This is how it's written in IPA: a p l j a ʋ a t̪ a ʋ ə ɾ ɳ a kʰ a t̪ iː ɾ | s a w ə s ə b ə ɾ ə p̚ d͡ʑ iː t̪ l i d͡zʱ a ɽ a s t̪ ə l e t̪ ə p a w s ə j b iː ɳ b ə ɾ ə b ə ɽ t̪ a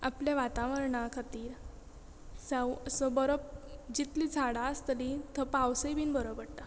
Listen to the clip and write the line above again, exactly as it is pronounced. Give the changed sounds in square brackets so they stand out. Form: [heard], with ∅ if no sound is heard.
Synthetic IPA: a p l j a ʋ a t̪ a ʋ ə ɾ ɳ a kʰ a t̪ iː ɾ | s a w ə s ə b ə ɾ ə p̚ d͡ʑ [i] t̪ l i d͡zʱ a ɽ a s t̪ ə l [i] t̪ ə p a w s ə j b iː [n] b ə ɾ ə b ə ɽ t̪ a